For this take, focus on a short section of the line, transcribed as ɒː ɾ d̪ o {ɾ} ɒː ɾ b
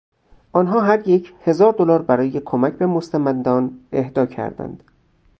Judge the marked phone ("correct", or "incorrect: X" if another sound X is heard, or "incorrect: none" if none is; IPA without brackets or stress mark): incorrect: l